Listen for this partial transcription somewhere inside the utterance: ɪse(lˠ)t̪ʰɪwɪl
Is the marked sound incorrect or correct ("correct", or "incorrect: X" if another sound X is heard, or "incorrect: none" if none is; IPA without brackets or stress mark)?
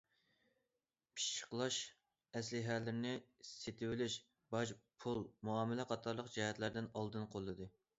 incorrect: none